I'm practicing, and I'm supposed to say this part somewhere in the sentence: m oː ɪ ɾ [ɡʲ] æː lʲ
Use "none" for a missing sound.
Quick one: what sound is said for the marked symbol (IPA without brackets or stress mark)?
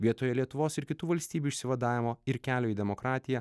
kʲ